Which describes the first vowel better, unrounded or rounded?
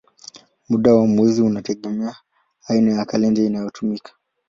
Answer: rounded